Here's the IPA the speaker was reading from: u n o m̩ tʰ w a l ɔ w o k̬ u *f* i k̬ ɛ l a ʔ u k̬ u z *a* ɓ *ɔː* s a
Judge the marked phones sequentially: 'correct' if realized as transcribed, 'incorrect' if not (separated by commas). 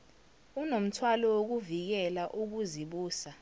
incorrect, incorrect, incorrect